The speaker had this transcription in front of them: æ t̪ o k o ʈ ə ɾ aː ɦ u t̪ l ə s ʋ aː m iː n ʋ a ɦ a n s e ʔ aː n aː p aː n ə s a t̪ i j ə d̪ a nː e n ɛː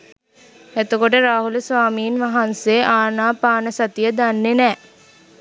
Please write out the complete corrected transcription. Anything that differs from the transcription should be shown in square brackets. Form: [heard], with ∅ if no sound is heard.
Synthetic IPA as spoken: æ t̪ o k o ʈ ə ɾ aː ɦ u [∅] l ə s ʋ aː m iː n ʋ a ɦ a n s e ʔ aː n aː p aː n ə s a t̪ i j ə d̪ a nː e n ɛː